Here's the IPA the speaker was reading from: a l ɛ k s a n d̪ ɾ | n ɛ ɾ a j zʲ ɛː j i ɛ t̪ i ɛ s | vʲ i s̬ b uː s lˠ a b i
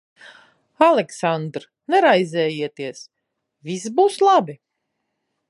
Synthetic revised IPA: a l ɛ k s a n d̪ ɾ | n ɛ ɾ a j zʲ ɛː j i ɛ t̪ i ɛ s | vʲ i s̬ b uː s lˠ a b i